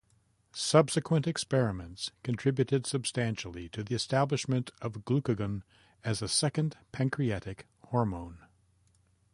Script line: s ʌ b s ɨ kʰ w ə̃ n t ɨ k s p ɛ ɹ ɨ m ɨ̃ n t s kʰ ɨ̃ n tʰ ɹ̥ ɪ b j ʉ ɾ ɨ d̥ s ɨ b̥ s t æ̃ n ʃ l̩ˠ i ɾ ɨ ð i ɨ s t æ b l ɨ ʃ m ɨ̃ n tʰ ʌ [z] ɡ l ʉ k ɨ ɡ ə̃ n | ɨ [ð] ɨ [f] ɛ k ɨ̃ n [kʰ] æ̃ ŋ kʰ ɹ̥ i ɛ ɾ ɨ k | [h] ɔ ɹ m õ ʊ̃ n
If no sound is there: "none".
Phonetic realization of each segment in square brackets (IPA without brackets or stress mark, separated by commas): v, z, s, pʰ, h